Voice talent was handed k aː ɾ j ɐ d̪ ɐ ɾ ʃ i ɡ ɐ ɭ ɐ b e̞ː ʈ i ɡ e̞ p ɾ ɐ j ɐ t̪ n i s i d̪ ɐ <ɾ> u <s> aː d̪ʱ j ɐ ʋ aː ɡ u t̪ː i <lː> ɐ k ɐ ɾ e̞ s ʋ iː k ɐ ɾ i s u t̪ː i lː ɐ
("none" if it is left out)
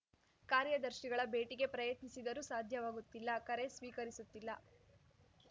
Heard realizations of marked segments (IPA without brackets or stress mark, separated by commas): ɾ, s, lː